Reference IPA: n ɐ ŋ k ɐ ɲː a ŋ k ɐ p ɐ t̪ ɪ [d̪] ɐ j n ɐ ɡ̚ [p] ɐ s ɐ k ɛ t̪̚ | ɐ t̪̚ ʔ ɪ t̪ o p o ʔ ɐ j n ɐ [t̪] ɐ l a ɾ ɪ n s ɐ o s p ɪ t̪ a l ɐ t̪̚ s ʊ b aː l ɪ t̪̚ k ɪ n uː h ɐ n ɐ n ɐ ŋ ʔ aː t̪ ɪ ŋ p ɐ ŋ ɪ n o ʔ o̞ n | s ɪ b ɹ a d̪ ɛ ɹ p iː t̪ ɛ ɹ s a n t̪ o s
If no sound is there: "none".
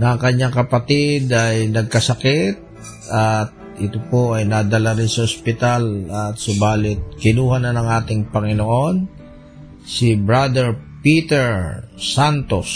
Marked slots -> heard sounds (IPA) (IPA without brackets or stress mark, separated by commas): d̪, k, d̪